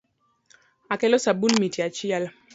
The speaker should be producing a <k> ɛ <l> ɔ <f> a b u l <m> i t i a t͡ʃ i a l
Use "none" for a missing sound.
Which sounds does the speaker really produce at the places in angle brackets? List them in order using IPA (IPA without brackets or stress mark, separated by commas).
k, l, s, m